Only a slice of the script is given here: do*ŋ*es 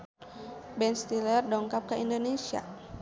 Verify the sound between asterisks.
incorrect: n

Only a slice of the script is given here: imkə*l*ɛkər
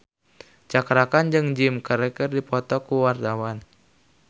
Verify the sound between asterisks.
incorrect: ɾ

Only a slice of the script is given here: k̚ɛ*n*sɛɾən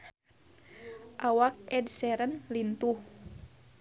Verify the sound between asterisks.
incorrect: d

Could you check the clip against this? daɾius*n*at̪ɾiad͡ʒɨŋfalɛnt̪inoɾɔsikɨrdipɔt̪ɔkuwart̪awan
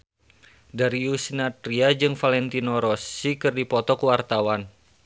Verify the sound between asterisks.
correct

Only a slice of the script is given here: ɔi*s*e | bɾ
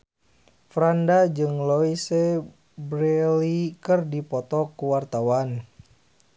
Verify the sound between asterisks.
correct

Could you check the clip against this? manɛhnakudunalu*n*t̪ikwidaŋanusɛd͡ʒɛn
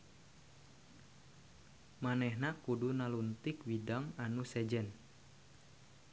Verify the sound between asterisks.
correct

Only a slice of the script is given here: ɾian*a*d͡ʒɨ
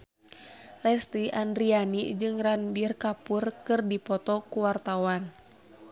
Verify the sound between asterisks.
incorrect: i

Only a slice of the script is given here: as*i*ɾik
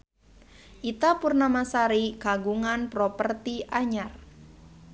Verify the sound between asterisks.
incorrect: a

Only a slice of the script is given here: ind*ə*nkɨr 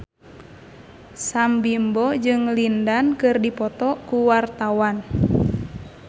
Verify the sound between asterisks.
incorrect: a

